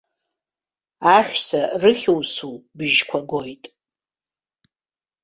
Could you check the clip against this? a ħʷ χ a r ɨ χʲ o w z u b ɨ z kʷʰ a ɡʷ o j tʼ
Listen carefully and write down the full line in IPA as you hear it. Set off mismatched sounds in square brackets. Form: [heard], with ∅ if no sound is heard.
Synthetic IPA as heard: a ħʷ [s] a r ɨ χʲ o w [s] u b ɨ [ʒ] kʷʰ a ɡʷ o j tʼ